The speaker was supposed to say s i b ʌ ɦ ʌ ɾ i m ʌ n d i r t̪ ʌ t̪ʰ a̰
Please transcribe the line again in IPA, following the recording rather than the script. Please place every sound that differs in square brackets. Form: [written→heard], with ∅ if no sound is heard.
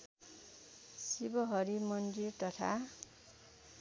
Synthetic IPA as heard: s i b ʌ ɦ ʌ ɾ i m ʌ n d i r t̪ ʌ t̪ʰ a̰

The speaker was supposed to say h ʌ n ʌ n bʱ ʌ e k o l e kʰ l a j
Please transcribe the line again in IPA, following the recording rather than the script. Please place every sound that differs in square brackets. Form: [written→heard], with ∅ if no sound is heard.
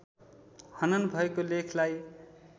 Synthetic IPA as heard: h ʌ n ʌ n bʱ ʌ e k o l e kʰ l a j

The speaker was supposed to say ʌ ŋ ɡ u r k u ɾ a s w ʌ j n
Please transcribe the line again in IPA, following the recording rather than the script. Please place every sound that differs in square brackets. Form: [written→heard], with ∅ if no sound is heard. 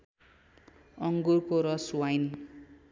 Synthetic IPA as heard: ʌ ŋ ɡ u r k [u→o] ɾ [a→ʌ] s w [ʌ→a] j n

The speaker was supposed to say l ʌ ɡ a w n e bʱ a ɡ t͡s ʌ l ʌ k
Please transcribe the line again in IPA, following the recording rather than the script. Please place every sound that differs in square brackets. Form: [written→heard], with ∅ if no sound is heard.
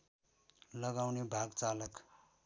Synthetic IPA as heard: l ʌ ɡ a w n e bʱ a ɡ t͡s [ʌ→a] l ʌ k

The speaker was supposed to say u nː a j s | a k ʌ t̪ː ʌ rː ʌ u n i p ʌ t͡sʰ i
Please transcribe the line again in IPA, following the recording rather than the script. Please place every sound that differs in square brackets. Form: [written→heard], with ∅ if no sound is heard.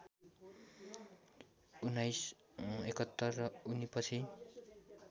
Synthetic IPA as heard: u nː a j s | [a→e] k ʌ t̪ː ʌ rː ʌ u n i p ʌ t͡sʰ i

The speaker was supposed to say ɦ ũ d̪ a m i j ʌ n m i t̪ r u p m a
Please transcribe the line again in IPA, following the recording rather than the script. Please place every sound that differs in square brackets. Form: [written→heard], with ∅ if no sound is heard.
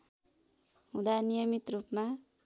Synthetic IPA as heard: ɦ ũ d̪ a [m→n] i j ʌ [n→∅] m i t̪ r u p m a

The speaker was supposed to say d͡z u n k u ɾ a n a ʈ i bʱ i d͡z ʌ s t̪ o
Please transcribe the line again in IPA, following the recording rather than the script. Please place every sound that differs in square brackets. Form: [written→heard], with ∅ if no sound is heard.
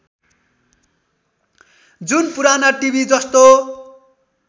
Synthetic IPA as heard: d͡z u n [k→p] u ɾ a n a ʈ i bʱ i d͡z ʌ s t̪ o

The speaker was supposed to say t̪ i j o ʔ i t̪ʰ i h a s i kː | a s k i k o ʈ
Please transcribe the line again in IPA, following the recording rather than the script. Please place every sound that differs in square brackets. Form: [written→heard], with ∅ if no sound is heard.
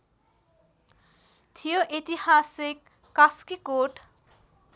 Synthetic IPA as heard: [t̪→t̪ʰ] i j o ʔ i [t̪ʰ→t̪] i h a s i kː | a s k i k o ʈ

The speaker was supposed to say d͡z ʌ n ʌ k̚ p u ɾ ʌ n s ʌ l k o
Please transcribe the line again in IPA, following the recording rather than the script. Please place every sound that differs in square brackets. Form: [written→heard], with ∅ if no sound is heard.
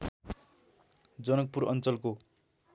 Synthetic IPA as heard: d͡z ʌ n ʌ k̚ p u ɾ ʌ n [s→t͡s] ʌ l k o

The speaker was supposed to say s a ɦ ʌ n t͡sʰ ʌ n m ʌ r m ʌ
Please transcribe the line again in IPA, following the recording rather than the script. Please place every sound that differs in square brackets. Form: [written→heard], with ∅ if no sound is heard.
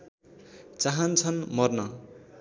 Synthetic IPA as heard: [s→t͡s] a ɦ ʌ n t͡sʰ ʌ n m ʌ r [m→n] ʌ

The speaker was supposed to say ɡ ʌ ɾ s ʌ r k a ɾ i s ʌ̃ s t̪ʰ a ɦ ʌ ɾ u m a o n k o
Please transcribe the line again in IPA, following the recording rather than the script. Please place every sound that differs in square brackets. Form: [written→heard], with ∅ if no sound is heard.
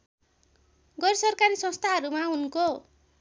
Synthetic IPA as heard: ɡ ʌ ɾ s ʌ r k a ɾ i s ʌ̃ s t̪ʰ a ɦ ʌ ɾ u m a [o→u] n k o

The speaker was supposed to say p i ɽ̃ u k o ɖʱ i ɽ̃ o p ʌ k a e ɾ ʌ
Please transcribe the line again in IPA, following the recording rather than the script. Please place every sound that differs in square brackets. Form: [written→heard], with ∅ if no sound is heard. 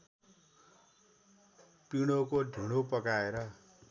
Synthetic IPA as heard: p i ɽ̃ [u→o] k o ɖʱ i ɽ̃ o p ʌ k a e ɾ ʌ

